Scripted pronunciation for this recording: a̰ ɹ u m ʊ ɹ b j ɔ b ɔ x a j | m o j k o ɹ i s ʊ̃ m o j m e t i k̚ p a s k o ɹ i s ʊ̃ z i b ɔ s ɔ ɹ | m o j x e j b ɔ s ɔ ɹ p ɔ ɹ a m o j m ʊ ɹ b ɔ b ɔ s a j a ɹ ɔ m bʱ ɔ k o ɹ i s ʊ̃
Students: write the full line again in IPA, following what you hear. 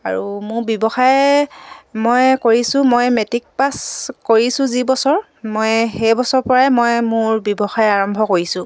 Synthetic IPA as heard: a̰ ɹ u m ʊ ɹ b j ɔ b ɔ x a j | m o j k o ɹ i s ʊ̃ m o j m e t i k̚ p a s k o ɹ i s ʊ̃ z i b ɔ s ɔ ɹ | m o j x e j b ɔ s ɔ ɹ p ɔ ɹ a m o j m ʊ ɹ b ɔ b ɔ x a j a ɹ ɔ m bʱ ɔ k o ɹ i s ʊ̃